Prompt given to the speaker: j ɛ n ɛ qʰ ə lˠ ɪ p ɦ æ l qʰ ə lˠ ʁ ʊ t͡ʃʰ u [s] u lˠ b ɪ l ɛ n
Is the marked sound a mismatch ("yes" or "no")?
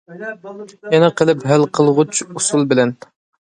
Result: no